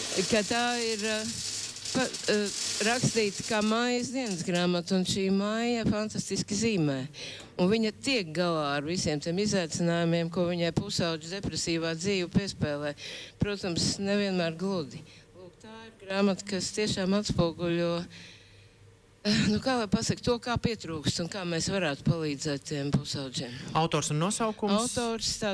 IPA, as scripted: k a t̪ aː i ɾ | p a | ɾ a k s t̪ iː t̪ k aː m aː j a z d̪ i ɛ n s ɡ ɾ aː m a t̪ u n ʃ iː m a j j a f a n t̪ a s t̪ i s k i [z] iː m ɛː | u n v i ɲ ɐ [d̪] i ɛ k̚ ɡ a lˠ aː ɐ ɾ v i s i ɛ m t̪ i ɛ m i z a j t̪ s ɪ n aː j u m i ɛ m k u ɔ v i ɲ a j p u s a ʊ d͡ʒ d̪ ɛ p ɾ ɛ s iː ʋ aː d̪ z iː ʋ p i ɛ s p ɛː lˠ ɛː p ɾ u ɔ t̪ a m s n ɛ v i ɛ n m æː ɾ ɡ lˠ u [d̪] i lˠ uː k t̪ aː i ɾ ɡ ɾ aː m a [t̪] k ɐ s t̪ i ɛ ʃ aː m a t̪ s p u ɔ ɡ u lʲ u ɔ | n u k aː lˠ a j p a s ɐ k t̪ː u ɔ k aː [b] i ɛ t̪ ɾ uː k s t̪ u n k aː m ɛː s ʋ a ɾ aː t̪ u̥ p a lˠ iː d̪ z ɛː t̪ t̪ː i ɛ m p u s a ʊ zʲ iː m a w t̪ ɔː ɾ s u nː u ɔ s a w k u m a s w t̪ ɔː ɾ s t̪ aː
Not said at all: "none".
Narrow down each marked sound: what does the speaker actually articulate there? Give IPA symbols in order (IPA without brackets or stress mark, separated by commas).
z, t̪, d̪, t̪, p